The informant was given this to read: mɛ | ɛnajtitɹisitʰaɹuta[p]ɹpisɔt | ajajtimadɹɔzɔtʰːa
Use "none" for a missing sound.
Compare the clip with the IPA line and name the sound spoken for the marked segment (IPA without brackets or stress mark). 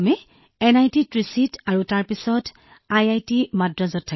none